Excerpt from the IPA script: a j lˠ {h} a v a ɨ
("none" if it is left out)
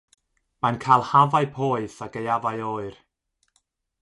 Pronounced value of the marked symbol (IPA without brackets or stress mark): h